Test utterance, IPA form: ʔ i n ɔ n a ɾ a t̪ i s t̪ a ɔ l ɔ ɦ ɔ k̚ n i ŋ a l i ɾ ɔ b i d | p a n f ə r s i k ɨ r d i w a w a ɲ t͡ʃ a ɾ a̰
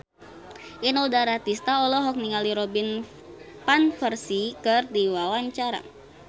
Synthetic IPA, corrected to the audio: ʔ i n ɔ d a ɾ a t̪ i s t̪ a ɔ l ɔ ɦ ɔ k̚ n i ŋ a l i ɾ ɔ b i n | p a n f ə r s i k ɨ r d i w a w a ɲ t͡ʃ a ɾ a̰